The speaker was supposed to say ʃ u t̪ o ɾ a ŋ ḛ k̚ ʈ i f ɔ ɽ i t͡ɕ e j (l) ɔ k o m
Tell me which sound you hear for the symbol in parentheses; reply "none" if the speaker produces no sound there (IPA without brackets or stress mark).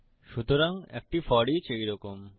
ɾ